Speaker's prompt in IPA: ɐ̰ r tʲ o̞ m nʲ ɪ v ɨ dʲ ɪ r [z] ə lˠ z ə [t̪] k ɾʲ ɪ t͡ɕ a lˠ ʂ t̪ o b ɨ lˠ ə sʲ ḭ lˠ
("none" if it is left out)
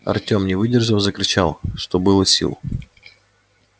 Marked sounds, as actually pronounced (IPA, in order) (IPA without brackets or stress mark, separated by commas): ʐ, none